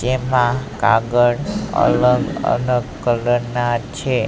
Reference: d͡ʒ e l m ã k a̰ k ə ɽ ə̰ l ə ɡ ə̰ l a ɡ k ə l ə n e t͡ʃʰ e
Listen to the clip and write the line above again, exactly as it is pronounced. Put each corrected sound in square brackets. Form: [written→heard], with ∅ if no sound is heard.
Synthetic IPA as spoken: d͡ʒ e [l→∅] m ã k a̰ [k→ɡ] ə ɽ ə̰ l ə ɡ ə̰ l [a→ə] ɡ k ə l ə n [e→a] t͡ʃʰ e

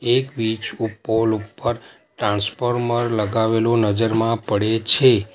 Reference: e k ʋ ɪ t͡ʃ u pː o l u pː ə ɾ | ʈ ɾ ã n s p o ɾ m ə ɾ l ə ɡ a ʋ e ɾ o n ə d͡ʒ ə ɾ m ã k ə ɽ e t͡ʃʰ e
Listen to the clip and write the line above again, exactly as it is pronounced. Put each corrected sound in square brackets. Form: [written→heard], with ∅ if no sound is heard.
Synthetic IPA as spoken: e k ʋ [ɪ→i] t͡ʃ u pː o l u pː ə ɾ | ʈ ɾ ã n s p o ɾ m ə ɾ l ə ɡ a ʋ e [ɾ→l] o n ə d͡ʒ ə ɾ m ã [k→p] ə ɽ e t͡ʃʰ e

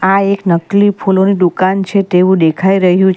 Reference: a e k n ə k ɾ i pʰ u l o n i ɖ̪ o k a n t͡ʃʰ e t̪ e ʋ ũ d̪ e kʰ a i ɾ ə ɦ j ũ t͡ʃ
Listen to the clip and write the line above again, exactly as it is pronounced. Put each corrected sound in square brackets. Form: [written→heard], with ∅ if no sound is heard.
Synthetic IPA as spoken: a e k n ə k [ɾ→l] i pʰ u l o n i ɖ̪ [o→u] k a n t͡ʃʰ e t̪ e ʋ ũ d̪ e kʰ a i ɾ ə ɦ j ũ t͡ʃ

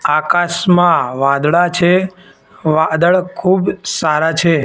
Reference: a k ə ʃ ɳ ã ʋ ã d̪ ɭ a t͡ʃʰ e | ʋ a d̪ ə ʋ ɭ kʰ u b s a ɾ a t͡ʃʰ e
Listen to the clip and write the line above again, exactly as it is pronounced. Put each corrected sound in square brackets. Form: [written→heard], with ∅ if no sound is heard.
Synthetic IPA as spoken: a k [ə→a] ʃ [ɳ→m] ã ʋ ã d̪ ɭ a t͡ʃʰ e | ʋ a d̪ ə [ʋ→∅] ɭ kʰ u b s a ɾ a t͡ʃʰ e

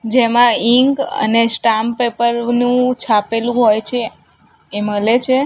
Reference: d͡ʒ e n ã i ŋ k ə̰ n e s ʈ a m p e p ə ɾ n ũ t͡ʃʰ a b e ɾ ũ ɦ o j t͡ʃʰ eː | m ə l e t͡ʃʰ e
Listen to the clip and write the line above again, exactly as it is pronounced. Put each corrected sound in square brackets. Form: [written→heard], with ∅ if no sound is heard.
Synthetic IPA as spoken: d͡ʒ e [n→m] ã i ŋ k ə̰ n e s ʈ a m p e p ə ɾ n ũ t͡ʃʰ a [b→p] e [ɾ→l] ũ ɦ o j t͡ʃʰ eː | m ə l e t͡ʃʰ e

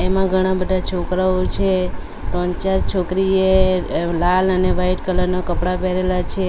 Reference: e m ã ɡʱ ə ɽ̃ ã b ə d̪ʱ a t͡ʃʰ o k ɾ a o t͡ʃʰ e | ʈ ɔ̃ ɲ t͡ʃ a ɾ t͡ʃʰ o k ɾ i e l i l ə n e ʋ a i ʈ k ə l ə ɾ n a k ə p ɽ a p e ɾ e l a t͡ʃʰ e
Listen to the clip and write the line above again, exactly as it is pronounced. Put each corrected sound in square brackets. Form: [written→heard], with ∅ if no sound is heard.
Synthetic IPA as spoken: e m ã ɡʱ ə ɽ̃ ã b ə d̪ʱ a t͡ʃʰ o k ɾ a o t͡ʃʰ e | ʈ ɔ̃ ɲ t͡ʃ a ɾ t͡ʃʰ o k ɾ i e l [i→a] l ə n e ʋ a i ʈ k ə l ə ɾ n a k ə p ɽ a p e ɾ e l a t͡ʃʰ e

